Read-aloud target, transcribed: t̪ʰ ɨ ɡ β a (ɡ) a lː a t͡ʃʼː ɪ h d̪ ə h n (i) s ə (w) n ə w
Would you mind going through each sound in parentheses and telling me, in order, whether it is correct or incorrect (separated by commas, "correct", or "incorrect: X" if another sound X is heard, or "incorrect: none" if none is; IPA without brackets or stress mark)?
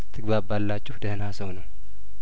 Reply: incorrect: b, incorrect: a, correct